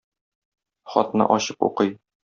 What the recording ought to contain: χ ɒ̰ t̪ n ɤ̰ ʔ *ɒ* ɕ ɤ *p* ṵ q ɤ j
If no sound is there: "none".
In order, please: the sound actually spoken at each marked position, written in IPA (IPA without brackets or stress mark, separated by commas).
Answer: ɒ, p